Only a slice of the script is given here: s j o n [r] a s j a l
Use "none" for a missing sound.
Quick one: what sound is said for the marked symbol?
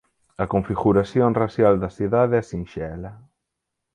r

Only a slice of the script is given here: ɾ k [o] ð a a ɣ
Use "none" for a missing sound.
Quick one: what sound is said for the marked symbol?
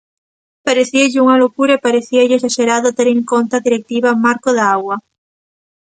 o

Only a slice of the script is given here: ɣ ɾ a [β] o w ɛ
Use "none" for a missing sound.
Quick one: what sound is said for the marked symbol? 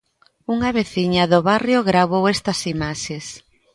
β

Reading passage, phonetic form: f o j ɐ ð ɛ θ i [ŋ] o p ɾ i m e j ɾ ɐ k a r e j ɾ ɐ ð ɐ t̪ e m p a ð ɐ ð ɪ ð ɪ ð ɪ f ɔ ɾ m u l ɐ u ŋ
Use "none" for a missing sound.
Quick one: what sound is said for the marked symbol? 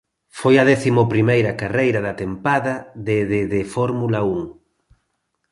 m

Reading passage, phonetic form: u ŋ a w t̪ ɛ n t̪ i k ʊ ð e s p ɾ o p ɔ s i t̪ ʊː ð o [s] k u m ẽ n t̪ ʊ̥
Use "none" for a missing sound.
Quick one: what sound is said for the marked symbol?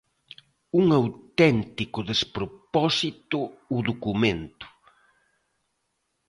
none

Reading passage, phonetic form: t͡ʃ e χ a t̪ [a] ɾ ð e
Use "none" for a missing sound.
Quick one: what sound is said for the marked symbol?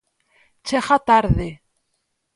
a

